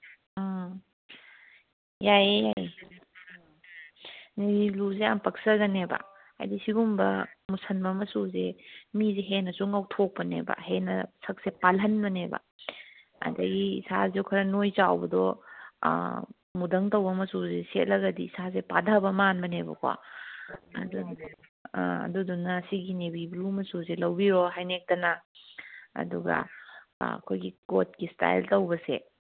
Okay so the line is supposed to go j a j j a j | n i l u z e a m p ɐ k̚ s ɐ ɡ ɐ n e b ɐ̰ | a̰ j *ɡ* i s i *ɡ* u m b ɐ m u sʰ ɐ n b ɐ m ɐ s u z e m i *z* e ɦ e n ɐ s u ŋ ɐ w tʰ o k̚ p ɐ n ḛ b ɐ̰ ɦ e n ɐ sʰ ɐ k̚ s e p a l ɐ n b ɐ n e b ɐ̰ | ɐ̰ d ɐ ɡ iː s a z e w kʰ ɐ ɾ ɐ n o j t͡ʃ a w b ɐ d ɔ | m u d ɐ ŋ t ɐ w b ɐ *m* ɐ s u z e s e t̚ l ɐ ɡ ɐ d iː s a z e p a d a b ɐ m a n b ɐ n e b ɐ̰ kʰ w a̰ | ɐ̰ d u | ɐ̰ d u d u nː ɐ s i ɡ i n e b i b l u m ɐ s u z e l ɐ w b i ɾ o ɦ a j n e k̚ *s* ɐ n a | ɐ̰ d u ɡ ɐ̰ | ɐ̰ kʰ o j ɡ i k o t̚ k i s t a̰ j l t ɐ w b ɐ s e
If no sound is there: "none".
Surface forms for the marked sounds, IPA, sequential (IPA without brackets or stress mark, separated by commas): d, ɡ, z, m, t